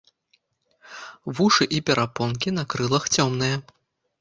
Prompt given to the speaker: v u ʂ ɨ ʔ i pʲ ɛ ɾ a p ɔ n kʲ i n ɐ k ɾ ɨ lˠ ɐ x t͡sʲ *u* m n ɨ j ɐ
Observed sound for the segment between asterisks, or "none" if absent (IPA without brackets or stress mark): ɔ